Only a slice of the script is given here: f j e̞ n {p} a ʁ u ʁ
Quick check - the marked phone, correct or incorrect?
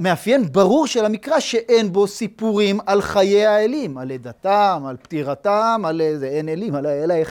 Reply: incorrect